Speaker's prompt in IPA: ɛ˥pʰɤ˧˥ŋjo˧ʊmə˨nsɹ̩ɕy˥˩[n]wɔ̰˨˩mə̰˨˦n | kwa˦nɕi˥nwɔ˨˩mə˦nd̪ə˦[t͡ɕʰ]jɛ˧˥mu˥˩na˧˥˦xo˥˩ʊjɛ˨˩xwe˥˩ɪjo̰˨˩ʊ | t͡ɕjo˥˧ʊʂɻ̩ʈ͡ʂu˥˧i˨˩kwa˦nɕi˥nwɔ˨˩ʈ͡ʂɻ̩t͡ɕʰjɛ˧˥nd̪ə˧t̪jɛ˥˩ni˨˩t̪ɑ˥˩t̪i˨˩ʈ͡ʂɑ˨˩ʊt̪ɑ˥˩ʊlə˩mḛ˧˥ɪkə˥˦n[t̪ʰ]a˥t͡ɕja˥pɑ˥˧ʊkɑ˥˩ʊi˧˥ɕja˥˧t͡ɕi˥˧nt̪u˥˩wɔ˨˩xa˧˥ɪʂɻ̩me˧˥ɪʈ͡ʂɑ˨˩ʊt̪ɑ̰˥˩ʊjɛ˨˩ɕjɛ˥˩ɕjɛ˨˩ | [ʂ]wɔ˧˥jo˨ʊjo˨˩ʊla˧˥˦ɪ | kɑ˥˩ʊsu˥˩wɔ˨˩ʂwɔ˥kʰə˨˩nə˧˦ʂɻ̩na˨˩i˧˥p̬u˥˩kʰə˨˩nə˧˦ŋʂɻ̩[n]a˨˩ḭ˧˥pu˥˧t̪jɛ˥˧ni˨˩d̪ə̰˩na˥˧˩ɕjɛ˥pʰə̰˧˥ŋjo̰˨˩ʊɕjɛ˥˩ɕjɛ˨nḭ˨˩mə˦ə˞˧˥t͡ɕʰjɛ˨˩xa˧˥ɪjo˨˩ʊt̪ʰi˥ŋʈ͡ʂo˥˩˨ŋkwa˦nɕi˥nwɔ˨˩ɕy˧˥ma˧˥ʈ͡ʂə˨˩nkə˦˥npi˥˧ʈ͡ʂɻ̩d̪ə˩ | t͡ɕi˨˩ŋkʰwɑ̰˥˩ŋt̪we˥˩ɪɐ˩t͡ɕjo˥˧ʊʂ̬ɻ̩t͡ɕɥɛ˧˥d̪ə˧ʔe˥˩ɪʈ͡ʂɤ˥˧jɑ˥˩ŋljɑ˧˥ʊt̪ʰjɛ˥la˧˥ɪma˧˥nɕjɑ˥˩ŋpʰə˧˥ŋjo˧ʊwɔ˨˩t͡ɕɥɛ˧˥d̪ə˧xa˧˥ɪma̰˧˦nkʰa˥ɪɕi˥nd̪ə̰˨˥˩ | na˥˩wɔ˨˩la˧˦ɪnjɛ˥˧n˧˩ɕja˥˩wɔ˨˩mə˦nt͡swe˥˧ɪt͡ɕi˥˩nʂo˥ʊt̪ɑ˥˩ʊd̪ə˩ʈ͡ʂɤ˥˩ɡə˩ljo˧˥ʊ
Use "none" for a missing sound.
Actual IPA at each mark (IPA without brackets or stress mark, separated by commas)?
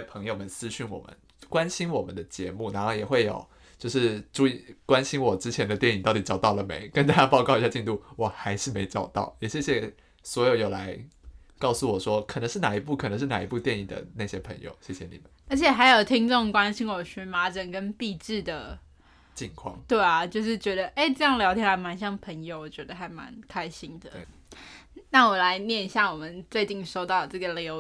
n, t͡ɕ, t̪, s, n